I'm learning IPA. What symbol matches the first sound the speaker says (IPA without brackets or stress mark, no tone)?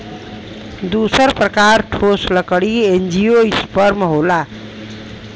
d̪